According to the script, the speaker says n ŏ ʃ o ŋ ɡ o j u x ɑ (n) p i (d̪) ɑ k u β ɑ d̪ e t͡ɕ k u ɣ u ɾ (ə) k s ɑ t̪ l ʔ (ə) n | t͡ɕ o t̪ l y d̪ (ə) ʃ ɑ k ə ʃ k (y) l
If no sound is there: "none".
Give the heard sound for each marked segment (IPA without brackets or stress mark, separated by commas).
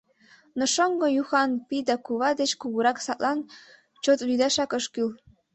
n, d̪, ɑ, ɑ, ɑ, y